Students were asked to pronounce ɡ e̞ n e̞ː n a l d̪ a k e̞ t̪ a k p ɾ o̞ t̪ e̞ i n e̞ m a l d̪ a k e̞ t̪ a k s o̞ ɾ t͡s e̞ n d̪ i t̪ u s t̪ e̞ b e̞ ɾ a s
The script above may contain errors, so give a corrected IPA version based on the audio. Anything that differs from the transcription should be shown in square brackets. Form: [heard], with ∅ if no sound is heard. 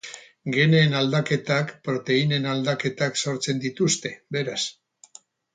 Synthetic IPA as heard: ɡ e̞ n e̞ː n a l d̪ a k e̞ t̪ a k p ɾ o̞ t̪ e̞ i n e̞ [n] a l d̪ a k e̞ t̪ a k s o̞ ɾ t͡s e̞ n d̪ i t̪ u s t̪ e̞ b e̞ ɾ a s